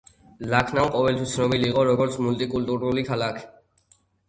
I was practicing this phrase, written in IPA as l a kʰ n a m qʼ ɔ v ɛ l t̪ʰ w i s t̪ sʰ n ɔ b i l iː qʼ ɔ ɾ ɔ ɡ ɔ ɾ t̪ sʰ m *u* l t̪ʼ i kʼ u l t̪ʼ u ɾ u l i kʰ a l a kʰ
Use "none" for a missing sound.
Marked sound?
u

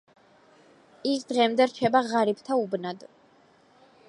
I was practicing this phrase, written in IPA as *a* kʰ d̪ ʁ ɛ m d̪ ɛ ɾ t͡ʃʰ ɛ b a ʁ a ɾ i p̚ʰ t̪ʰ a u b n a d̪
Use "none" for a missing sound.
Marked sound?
i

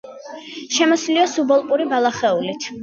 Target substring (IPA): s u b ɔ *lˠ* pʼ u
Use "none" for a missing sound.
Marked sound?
lˠ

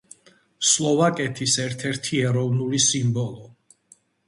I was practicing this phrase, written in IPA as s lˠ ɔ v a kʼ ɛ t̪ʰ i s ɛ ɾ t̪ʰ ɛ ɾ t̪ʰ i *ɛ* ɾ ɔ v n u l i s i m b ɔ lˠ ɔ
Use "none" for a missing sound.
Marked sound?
ɛ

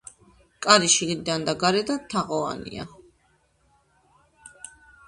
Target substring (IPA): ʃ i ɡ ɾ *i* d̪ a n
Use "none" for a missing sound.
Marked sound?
i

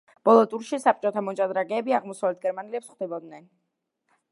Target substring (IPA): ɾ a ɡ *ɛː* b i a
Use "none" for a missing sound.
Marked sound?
ɛː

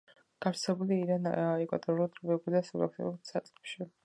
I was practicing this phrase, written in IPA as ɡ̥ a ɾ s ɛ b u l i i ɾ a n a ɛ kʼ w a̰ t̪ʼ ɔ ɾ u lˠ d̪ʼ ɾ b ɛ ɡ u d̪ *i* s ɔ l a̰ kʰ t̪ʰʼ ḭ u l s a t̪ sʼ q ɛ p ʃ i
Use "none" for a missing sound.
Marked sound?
a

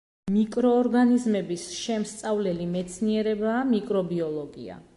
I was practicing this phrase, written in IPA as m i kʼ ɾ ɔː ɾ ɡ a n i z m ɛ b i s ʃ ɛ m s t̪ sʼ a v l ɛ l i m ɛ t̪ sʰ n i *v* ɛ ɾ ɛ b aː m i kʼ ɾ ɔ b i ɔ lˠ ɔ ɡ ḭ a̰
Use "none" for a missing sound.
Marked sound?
none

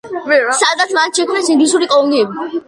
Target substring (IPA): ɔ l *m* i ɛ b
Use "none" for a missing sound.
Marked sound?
n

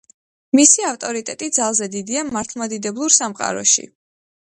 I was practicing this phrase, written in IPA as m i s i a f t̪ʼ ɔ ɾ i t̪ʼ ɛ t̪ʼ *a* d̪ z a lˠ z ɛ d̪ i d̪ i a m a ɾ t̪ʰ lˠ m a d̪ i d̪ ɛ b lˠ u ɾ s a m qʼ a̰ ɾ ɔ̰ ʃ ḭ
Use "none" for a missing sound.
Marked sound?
i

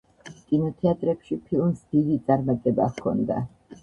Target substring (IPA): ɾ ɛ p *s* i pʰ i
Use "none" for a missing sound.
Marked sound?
ʃ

